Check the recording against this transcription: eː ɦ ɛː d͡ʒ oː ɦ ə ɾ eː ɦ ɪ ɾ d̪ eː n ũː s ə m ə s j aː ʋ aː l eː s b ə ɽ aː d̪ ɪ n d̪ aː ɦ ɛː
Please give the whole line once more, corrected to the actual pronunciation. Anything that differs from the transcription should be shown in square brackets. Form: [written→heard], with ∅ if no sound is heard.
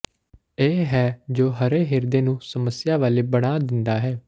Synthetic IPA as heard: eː ɦ ɛː d͡ʒ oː ɦ ə ɾ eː ɦ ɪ ɾ d̪ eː n ũː s ə m ə s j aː ʋ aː l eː [s→∅] b ə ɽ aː d̪ ɪ n d̪ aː ɦ ɛː